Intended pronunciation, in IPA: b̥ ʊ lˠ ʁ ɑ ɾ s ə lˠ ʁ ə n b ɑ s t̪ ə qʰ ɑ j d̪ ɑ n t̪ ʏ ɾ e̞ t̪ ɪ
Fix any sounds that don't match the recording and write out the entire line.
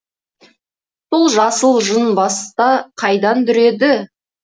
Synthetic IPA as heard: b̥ ʊ lˠ ʒ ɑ s ə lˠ ʒ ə n b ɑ s t̪ ɑ qʰ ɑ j d̪ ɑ n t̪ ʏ ɾ e̞ d̪ ɪ